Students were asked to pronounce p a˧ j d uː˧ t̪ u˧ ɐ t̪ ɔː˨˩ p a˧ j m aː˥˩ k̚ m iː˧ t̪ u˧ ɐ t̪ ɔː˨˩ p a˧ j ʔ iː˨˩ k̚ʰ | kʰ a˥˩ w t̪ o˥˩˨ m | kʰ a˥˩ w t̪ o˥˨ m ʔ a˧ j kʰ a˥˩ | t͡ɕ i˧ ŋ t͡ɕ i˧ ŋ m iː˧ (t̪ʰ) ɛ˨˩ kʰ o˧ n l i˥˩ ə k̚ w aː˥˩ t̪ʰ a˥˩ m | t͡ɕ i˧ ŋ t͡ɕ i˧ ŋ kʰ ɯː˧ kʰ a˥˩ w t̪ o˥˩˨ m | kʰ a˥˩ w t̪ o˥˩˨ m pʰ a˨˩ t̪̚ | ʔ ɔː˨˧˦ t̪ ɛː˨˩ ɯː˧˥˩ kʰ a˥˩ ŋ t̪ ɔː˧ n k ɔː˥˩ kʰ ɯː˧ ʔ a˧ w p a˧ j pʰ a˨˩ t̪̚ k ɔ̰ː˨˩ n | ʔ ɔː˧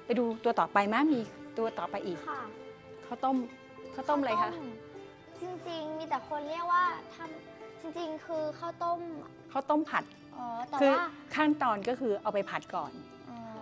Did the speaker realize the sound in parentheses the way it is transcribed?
no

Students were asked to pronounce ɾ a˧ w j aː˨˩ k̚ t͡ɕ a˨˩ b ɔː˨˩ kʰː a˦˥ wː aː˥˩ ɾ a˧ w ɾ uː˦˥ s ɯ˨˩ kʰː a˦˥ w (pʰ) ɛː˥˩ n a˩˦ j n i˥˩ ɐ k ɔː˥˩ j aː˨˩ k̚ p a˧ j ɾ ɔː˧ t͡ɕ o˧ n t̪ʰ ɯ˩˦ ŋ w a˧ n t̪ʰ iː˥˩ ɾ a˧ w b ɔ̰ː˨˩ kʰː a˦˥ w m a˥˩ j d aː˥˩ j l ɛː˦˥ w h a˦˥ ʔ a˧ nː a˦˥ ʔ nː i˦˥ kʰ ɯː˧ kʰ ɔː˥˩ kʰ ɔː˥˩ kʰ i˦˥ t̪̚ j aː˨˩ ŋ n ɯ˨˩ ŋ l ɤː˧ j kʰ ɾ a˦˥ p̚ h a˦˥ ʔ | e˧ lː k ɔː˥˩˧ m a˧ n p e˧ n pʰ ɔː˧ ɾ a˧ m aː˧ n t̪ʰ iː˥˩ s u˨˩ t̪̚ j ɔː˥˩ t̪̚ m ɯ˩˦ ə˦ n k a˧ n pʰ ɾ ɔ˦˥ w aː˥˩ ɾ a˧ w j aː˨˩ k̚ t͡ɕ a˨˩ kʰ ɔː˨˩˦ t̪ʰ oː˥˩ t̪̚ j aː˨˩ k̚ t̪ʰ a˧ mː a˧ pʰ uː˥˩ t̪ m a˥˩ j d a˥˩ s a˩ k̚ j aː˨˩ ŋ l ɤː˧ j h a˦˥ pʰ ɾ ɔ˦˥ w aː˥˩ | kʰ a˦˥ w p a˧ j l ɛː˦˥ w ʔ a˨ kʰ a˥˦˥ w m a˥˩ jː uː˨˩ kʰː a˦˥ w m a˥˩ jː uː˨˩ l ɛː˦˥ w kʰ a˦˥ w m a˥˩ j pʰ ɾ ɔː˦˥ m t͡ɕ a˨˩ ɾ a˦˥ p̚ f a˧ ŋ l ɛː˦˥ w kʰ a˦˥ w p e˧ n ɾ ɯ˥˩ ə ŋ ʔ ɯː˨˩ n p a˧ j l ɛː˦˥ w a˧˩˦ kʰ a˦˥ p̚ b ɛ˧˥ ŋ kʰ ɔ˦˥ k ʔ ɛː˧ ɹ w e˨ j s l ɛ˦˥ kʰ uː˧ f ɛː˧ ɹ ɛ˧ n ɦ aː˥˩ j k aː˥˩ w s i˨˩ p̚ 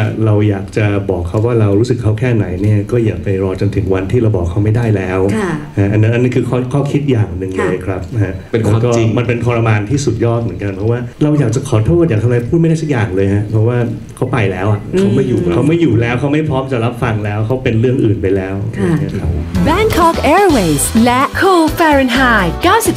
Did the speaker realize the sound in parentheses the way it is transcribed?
no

